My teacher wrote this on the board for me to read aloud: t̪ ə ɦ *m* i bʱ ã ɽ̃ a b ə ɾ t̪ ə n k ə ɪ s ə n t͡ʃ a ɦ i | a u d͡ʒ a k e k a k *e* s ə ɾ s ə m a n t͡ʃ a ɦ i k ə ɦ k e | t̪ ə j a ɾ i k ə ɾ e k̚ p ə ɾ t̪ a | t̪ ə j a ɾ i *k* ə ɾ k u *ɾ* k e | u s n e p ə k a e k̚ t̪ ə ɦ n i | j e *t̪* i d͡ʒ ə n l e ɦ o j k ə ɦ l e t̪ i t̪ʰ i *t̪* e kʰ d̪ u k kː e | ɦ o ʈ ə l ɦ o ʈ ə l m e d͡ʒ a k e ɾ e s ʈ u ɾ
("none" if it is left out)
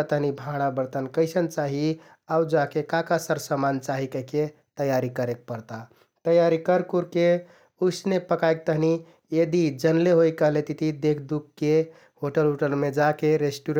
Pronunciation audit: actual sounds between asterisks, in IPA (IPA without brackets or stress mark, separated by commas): n, a, k, ɾ, d̪, d̪